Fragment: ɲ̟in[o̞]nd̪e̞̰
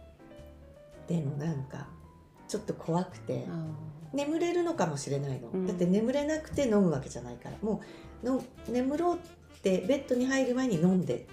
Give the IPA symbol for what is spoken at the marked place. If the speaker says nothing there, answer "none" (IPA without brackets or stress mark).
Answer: õ̞